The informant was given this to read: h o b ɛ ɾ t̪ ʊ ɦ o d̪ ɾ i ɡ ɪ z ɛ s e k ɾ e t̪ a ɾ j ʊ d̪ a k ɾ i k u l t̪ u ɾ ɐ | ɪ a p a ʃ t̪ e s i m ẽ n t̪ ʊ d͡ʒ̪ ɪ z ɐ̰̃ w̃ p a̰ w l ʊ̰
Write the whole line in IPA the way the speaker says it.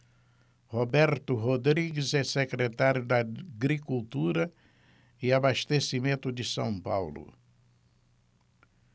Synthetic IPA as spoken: h o b ɛ ɾ t̪ ʊ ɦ o d̪ ɾ i ɡ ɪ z ɛ s e k ɾ e t̪ a ɾ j ʊ d̪ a ɡ ɾ i k u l t̪ u ɾ ɐ | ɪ a b a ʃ t̪ e s i m ẽ n t̪ ʊ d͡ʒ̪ ɪ s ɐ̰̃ w̃ p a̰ w l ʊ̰